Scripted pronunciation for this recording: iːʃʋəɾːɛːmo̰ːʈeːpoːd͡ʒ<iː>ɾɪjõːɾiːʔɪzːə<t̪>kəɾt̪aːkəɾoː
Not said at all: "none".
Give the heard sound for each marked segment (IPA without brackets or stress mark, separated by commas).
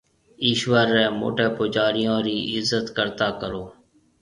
aː, t̪